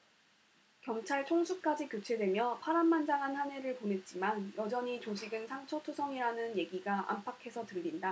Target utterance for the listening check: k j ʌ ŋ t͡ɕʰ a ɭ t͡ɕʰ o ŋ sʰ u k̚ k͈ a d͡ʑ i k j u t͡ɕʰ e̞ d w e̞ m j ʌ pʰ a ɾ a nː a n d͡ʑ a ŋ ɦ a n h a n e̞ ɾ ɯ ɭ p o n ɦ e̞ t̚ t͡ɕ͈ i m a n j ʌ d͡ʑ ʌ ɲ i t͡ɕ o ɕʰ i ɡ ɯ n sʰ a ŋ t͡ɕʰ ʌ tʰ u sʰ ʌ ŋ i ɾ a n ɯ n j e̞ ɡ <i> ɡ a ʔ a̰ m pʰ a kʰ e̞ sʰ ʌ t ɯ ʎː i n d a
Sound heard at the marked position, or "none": i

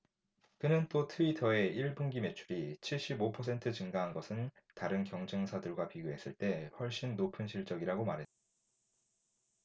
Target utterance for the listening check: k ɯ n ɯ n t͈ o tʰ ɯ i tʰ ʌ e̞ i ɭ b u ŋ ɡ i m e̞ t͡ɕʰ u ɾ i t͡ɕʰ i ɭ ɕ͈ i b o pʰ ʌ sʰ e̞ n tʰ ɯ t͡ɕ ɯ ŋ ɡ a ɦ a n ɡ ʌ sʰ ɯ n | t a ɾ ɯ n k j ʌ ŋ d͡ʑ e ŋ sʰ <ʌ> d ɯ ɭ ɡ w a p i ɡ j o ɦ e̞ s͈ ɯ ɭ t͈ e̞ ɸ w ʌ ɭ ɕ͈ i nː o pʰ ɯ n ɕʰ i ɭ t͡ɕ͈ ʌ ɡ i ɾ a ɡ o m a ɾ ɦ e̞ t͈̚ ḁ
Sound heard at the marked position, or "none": a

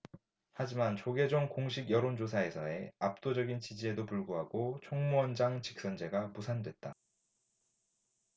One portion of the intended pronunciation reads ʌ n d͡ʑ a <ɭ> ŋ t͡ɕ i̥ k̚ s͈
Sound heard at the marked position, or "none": none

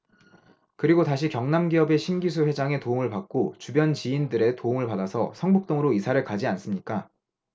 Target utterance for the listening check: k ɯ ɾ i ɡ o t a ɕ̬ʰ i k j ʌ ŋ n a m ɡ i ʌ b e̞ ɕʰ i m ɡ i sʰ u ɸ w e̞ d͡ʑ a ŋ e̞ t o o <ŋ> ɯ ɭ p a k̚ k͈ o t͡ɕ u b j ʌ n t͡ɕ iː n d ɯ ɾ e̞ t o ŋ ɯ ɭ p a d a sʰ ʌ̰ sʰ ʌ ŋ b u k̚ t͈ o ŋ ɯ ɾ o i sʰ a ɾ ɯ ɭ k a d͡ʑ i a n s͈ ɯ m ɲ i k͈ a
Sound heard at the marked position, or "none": ŋ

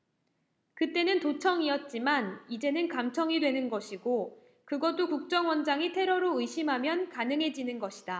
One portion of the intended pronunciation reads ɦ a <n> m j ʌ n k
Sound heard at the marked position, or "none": none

